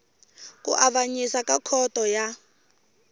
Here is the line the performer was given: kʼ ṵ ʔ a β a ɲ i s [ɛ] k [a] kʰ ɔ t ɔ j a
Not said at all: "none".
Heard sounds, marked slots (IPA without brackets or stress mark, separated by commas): a, a